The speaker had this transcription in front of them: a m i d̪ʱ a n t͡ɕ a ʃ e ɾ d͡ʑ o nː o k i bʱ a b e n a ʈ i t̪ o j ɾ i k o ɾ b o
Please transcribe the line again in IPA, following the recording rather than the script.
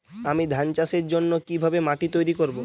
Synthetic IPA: a m i d̪ʱ a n t͡ɕ a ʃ e ɾ d͡ʑ o nː o k i bʱ a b e m a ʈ i t̪ o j ɾ i k o ɾ b o

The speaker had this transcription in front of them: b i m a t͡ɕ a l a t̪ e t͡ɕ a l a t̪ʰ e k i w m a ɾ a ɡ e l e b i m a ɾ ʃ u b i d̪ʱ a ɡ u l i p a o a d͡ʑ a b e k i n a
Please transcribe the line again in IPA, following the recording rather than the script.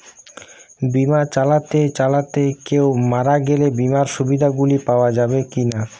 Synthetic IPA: b i m a t͡ɕ a l a t̪ e t͡ɕ a l a t̪ e k e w m a ɾ a ɡ e l e b i m a ɾ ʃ u b i d̪ʱ a ɡ u l i p a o a d͡ʑ a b e k i n a

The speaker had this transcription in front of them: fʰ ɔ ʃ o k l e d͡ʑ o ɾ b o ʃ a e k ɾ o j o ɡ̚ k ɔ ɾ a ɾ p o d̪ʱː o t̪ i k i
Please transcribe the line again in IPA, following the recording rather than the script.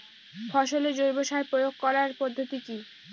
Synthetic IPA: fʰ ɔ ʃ o l e d͡ʑ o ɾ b o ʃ a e p ɾ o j o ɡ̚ k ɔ ɾ a ɾ p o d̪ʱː o t̪ i k i

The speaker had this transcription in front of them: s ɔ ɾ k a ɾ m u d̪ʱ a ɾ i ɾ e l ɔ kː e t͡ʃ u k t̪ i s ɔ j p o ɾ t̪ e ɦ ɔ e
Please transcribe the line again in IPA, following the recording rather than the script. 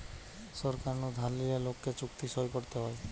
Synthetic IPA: s ɔ ɾ k a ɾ n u d̪ʱ a l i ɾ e l o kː e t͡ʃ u k t̪ i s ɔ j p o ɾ t̪ e ɦ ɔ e

